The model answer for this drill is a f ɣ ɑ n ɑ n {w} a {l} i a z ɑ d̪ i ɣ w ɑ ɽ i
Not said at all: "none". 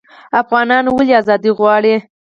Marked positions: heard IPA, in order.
w, l

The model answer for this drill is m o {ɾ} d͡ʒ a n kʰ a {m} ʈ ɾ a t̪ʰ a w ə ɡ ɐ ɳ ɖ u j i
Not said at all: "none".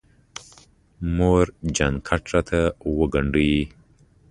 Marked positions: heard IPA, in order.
ɾ, none

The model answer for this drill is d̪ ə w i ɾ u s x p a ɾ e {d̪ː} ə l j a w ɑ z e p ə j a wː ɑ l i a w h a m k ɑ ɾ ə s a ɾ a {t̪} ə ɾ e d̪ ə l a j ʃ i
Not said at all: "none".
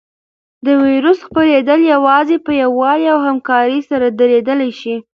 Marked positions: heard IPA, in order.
d̪, d̪

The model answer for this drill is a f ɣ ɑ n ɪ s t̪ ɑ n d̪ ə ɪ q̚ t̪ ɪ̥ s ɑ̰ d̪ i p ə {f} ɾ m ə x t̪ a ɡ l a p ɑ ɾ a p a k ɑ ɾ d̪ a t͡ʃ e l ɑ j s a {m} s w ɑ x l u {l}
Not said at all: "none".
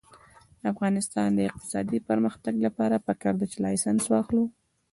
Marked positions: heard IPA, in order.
none, n, none

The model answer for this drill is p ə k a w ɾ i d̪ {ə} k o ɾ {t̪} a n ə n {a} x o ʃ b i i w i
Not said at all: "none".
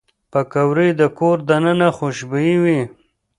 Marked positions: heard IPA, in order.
ə, d̪, a

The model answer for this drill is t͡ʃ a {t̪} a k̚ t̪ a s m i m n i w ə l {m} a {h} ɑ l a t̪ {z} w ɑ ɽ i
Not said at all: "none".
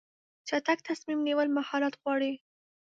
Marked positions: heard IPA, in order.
t̪, m, h, ɣ

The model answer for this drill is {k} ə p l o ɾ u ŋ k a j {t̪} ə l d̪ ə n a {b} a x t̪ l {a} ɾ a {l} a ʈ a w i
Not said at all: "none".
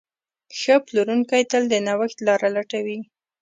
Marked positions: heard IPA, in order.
x, t̪, w, ɑ, l

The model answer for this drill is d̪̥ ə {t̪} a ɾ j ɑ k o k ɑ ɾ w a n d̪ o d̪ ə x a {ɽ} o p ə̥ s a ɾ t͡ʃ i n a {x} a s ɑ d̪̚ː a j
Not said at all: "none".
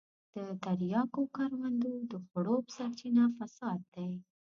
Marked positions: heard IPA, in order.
t̪, ɽ, f

